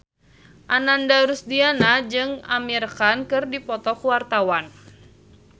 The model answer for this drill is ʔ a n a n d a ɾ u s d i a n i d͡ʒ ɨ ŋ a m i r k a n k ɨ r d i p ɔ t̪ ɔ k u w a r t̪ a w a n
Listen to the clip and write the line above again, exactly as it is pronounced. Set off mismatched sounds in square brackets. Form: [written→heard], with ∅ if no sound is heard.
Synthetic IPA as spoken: ʔ a n a n d a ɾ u s d i a n [i→a] d͡ʒ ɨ ŋ a m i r k a n k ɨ r d i p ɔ t̪ ɔ k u w a r t̪ a w a n